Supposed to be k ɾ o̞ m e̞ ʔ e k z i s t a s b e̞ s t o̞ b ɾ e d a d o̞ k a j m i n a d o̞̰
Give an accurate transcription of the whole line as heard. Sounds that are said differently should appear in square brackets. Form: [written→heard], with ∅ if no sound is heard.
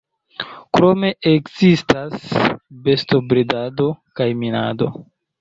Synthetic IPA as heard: k ɾ o̞ m e̞ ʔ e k z i s t a s b e̞ s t o̞ b ɾ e d a d o̞ k a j m i n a d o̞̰